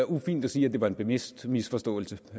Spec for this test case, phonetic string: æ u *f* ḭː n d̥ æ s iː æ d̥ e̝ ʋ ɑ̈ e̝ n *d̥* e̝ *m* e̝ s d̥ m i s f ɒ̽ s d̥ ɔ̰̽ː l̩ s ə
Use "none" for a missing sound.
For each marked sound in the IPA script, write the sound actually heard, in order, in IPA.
f, b̥, m

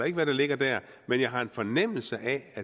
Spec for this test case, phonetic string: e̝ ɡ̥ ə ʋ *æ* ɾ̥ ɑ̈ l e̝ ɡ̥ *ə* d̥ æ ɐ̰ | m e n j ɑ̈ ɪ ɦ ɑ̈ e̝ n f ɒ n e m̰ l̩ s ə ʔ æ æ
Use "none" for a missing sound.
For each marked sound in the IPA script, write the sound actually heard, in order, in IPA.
æ, ɐ

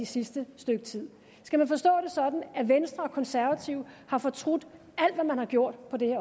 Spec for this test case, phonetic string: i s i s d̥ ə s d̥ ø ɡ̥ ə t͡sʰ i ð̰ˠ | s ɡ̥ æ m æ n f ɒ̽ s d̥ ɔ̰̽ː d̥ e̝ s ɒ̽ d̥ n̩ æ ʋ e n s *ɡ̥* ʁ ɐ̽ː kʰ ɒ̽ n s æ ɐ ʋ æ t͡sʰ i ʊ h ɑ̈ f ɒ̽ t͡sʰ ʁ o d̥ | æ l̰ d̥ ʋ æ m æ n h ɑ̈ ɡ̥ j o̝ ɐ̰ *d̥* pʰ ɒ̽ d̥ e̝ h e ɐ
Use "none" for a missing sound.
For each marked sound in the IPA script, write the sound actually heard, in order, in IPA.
d̥, d̥

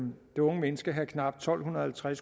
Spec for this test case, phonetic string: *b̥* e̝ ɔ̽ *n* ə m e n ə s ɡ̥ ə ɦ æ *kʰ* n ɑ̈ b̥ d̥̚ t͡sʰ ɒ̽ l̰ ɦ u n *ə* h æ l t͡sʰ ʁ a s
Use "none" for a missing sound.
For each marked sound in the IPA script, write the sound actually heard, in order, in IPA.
d̥, ŋ, kʰ, ɐ

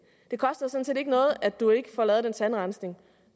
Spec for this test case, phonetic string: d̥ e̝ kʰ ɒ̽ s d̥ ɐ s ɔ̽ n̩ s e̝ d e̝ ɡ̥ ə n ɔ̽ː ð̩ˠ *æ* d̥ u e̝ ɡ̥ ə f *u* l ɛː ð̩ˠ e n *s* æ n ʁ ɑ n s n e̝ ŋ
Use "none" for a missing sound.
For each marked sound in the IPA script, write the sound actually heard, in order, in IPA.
æ, ɒ, s

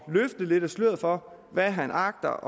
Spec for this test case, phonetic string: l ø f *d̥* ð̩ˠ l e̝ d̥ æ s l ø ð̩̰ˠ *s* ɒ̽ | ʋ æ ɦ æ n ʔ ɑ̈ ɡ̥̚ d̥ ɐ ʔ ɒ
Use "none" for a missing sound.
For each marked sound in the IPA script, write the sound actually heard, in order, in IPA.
d̥, f

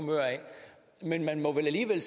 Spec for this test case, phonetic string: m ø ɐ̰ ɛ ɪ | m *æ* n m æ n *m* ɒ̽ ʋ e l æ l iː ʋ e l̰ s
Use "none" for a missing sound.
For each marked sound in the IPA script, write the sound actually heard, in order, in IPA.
e, m

